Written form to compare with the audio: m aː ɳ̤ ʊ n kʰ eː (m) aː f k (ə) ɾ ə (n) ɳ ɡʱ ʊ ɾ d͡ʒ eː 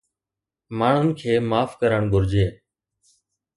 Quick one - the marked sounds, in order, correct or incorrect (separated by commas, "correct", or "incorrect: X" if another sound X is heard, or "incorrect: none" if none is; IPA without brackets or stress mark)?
correct, correct, incorrect: none